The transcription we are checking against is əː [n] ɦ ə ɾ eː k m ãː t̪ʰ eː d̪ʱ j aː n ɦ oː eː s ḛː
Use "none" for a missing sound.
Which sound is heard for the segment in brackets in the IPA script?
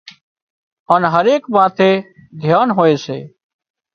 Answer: n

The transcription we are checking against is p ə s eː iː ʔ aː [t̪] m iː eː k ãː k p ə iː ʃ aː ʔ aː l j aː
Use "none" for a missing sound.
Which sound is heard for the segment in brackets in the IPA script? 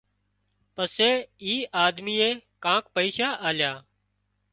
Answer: d̪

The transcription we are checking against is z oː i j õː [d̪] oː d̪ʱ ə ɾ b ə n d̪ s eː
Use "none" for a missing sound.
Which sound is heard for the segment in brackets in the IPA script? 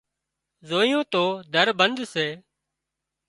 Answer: t̪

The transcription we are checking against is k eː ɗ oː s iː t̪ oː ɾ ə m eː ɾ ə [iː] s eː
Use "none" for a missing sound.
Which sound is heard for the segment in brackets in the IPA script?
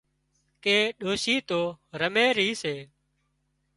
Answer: iː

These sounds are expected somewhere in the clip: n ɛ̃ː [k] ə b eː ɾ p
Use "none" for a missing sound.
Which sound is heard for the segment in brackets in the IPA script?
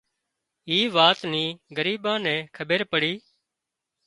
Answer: kʰ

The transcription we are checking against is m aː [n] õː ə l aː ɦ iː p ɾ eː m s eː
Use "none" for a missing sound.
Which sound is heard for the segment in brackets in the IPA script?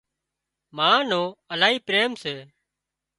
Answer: n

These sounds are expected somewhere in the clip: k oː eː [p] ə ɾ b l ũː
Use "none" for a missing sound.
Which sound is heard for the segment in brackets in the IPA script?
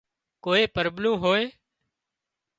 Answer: p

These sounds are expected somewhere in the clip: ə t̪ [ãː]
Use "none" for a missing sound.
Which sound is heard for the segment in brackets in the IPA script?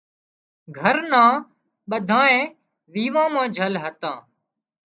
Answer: ãː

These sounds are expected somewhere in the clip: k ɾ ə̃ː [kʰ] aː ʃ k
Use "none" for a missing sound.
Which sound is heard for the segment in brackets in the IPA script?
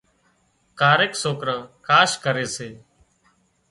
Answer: k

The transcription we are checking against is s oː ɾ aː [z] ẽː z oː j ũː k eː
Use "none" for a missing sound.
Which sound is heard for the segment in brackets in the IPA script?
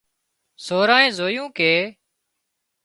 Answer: none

